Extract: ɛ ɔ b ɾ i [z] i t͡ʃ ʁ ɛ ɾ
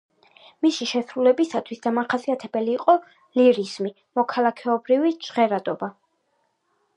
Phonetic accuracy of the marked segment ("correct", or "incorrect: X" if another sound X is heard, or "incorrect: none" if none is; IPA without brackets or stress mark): incorrect: v